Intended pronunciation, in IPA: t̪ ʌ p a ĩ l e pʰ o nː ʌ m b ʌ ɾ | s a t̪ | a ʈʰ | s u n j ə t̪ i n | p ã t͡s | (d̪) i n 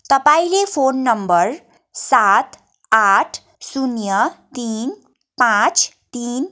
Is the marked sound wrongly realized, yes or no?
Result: yes